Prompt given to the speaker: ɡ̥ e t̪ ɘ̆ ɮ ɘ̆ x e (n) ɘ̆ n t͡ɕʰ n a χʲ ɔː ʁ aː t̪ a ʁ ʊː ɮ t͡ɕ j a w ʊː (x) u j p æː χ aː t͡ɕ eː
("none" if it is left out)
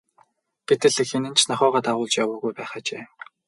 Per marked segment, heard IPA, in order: n, ɣ

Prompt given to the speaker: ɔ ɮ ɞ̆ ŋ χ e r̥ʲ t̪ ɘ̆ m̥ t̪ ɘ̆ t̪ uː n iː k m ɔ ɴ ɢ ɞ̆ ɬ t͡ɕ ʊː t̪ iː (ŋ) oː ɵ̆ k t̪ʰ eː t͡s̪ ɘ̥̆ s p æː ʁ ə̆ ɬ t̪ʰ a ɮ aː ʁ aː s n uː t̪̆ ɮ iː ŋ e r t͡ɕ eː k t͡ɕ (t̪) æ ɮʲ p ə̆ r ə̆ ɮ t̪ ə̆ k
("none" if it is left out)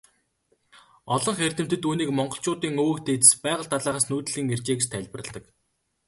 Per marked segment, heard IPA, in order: ŋ, t̪ʰ

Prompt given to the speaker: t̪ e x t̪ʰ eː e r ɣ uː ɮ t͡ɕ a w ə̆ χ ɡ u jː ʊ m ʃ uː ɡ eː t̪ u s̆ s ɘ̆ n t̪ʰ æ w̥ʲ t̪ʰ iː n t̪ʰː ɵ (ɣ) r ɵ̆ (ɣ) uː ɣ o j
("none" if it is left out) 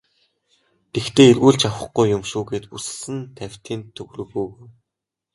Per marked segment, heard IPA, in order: ɣ, ɣ

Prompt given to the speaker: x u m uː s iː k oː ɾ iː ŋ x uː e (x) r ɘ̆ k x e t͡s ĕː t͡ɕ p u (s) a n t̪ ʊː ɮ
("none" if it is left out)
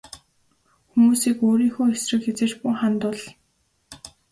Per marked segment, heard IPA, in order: s, χ

